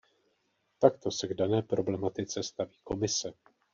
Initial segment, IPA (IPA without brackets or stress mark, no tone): t̪